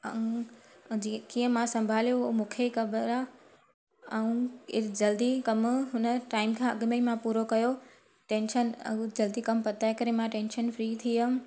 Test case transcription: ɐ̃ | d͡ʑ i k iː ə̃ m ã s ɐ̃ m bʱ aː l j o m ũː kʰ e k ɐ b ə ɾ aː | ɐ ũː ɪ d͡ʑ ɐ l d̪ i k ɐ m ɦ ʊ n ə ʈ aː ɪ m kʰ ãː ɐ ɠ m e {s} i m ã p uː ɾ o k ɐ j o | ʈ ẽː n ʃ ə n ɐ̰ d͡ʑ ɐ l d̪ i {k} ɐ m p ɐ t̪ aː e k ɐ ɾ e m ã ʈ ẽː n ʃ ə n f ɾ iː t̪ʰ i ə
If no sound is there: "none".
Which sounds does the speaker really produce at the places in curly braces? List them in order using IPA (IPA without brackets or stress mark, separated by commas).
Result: none, k